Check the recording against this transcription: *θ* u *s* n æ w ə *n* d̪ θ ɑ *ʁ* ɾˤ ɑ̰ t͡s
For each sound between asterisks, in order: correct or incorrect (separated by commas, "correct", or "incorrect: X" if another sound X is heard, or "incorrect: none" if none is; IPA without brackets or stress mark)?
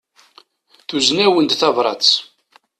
correct, incorrect: z, correct, incorrect: v